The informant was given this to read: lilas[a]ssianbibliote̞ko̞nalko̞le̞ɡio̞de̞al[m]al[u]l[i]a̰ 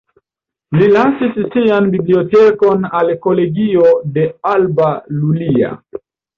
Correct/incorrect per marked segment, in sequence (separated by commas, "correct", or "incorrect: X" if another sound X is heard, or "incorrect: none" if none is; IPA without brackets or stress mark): incorrect: i, incorrect: b, correct, correct